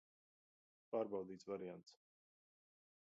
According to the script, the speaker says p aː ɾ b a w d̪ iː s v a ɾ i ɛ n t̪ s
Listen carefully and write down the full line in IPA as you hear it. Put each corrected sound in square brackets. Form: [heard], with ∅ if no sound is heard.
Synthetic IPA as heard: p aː ɾ b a w d̪ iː s v a ɾ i [a] n t̪ s